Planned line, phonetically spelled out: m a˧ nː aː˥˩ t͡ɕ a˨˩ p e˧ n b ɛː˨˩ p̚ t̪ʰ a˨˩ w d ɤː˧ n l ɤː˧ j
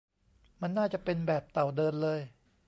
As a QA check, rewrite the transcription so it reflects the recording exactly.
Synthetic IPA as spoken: m a˧ nː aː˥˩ t͡ɕ a˨˩ p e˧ n b ɛː˨˩ p̚ t̪ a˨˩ w d ɤː˧ n l ɤː˧ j